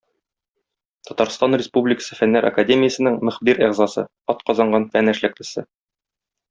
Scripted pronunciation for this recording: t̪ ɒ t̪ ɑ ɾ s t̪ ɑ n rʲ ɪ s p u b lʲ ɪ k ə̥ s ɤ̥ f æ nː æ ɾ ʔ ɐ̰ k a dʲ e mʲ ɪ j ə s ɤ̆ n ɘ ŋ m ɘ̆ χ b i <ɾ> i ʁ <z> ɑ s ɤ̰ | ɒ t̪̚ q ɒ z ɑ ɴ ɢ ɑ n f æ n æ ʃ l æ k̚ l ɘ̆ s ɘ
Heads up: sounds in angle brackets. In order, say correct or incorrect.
correct, correct

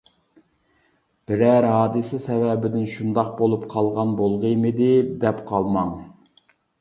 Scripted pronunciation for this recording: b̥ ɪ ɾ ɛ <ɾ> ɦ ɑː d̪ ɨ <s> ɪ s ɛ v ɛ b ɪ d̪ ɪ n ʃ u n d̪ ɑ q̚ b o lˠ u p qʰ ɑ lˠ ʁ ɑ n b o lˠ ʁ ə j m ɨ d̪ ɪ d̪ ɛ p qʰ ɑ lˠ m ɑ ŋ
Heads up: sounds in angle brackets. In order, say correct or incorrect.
correct, correct

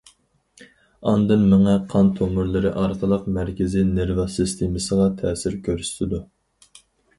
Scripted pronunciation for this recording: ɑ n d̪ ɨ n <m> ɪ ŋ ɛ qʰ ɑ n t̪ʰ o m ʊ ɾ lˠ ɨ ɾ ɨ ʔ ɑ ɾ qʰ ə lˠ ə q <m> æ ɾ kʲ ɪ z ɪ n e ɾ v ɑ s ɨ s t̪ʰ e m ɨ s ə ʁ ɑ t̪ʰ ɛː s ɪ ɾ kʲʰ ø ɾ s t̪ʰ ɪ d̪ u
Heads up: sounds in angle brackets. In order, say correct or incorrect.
correct, correct

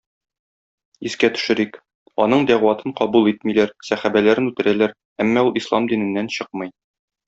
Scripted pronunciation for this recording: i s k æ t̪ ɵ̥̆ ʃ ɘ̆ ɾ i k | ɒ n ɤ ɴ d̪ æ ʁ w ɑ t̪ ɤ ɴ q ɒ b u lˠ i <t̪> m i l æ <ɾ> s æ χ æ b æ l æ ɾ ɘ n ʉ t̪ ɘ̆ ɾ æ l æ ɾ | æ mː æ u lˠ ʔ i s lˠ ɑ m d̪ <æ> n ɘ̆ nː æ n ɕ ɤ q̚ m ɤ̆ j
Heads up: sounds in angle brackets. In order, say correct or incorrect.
correct, correct, incorrect: i

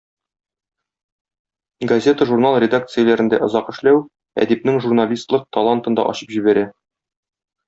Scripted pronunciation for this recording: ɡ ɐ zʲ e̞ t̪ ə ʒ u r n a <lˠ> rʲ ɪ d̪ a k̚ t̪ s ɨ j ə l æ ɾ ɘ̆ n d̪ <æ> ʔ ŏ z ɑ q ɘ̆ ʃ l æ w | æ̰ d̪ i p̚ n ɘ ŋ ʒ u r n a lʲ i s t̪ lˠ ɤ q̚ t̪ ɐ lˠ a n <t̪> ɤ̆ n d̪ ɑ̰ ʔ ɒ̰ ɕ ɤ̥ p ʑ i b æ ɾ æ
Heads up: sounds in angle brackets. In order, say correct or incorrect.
correct, correct, correct

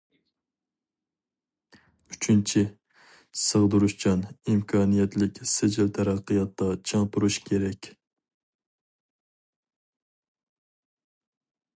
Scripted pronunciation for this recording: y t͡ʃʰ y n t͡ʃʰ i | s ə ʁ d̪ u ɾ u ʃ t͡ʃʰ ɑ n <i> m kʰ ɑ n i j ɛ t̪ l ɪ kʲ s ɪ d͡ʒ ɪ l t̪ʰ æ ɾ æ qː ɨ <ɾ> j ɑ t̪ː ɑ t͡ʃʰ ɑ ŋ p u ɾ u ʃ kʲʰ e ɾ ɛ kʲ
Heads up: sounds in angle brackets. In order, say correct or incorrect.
correct, incorrect: none

